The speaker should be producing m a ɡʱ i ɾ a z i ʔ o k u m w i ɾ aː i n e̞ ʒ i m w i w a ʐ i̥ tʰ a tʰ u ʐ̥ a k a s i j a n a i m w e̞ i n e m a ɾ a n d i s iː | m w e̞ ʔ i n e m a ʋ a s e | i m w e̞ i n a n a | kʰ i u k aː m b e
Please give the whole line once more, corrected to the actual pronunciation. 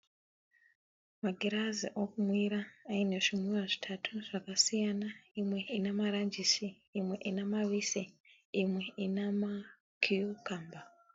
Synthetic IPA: m a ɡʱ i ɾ a z i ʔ o k u m w i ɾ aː i n e̞ ʐ i m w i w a ʐ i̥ tʰ a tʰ u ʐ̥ a k a s i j a n a i m w e̞ i n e m a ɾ a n d͡ʒ i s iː | m w e̞ ʔ i n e m a ʋ i s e | i m w e̞ i n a m a | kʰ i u k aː m b a

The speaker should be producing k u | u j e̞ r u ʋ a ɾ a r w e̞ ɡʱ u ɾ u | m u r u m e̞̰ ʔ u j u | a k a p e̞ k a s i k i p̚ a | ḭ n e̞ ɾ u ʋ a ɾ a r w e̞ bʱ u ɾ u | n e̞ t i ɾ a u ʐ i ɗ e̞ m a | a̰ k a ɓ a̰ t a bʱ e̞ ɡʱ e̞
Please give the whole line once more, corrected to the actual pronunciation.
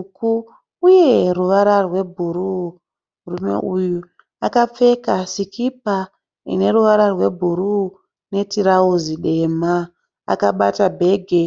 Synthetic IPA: k u | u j e̞ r u ʋ a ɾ a r w e̞ bʱ u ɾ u | m u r u m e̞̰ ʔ u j u | a k a p͡f e̞ k a s i k i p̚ a | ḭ n e̞ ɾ u ʋ a ɾ a r w e̞ bʱ u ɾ u | n e̞ t i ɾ a u z i ɗ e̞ m a | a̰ k a ɓ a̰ t a bʱ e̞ ɡʱ e̞

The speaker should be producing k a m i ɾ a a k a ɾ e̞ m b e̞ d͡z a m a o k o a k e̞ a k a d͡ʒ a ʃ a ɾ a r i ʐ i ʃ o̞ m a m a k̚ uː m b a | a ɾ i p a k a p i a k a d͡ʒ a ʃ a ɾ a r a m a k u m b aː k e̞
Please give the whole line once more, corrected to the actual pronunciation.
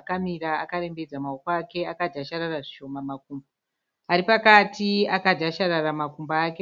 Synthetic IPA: k a m i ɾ a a k a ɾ e̞ m b e̞ d͡z a m a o k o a k e̞ a k a d͡ʒ a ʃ a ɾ a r a ʐ i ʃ o̞ m a m a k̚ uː m b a | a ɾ i p a k a t i a k a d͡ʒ a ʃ a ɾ a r a m a k u m b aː k e̞

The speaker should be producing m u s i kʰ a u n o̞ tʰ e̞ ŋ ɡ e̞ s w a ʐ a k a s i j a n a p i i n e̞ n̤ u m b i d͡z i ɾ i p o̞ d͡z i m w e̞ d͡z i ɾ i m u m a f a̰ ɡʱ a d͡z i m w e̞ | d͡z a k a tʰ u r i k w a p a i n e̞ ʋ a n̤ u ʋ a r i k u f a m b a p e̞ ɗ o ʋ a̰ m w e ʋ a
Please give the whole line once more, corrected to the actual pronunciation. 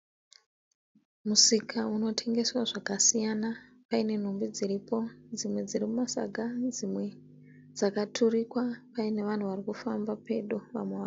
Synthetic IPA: m u s i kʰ a u n o̞ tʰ e̞ ŋ ɡ e̞ s w a ʐ a k a s i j a n a p a i n e̞ n̤ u m b i d͡z i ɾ i p o̞ d͡z i m w e̞ d͡z i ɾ i m u m a s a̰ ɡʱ a d͡z i m w e̞ | d͡z a k a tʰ u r i k w a p a i n e̞ ʋ a n̤ u ʋ a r i k u f a m b a p e̞ ɗ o ʋ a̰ m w e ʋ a

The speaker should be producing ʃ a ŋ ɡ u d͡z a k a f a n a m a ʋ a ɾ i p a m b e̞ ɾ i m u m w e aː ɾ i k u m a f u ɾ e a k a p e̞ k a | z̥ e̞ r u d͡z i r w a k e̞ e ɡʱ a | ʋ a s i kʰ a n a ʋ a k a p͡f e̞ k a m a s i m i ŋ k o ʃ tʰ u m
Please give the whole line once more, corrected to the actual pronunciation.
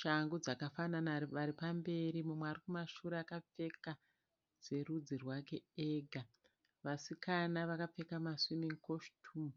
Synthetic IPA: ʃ a ŋ ɡ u d͡z a k a f a n a n a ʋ a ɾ i p a m b e̞ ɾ i m u m w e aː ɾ i k u m a ʃ u ɾ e a k a p͡f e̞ k a | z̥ e̞ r u d͡z i r w a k e̞ e ɡʱ a | ʋ a s i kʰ a n a ʋ a k a p͡f e̞ k a m a s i m i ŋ k o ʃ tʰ u m

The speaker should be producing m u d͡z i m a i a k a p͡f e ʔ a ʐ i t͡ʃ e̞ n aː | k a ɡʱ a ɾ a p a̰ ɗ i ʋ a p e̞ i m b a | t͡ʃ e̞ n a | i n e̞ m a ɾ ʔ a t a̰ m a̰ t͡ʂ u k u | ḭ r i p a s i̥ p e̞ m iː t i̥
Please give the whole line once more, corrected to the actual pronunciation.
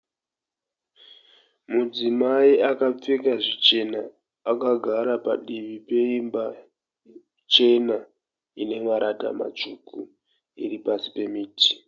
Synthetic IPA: m u d͡z i m a i a k a p͡f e k a ʐ i t͡ʃ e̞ n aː | k a ɡʱ a ɾ a p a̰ ɗ i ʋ i p e̞ i m b a | t͡ʃ e̞ n a | i n e̞ m a ɾ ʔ a t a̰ m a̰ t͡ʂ u k u | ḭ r i p a s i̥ p e̞ m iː t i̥

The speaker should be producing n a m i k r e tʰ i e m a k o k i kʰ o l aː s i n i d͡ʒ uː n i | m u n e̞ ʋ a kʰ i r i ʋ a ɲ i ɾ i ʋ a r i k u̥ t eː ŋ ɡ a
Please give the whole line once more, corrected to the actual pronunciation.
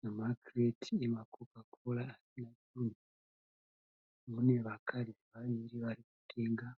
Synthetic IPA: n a m a k r e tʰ i e m a k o k a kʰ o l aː s i n a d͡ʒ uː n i | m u n e̞ ʋ a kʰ a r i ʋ a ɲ i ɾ i ʋ a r i k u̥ t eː ŋ ɡ a

